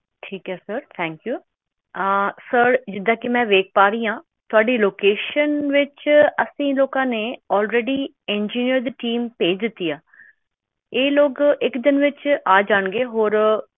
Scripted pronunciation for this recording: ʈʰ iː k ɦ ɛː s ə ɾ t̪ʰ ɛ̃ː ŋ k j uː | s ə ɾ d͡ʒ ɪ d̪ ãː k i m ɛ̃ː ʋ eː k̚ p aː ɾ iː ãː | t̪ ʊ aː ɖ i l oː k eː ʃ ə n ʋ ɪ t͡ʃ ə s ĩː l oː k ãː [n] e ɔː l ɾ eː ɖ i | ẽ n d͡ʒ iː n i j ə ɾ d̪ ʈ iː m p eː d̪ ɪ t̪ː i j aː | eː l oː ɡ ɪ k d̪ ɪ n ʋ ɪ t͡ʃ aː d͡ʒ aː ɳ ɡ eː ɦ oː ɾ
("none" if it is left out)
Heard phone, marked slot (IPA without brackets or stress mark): n